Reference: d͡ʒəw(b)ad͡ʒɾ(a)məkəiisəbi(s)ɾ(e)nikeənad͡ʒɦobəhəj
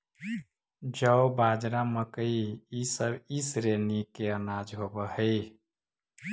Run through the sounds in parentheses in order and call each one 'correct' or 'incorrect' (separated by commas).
correct, correct, correct, correct